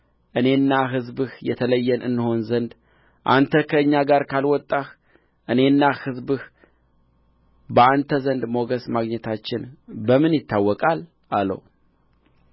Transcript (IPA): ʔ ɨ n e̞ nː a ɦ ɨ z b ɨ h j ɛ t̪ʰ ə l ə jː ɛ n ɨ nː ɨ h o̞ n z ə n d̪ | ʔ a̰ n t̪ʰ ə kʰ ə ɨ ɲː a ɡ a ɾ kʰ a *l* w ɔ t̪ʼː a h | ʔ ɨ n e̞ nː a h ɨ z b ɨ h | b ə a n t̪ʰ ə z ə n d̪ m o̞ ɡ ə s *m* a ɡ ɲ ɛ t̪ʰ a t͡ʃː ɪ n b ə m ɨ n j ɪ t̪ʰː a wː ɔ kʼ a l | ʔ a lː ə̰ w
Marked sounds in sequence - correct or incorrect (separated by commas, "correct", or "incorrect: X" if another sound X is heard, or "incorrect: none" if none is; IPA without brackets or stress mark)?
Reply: correct, correct